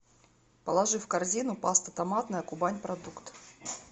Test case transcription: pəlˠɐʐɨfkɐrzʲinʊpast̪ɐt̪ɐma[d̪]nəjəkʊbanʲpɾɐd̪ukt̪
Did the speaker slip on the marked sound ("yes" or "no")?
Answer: yes